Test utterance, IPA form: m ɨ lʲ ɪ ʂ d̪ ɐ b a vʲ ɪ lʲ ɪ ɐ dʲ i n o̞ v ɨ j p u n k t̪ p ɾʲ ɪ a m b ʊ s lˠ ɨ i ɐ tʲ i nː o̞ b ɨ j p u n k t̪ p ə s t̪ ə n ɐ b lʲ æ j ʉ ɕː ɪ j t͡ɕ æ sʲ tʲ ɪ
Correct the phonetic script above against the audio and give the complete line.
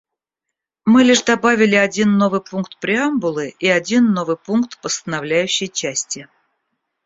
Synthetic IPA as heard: m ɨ lʲ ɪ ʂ d̪ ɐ b a vʲ ɪ lʲ ɪ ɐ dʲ i nː o̞ v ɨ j p u n k t̪ p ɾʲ ɪ a m b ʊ lˠ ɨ i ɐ dʲ i nː o̞ v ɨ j p u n k t̪ p ə s t̪ ə n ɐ v lʲ æ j ʉ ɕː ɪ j t͡ɕ æ sʲ tʲ ɪ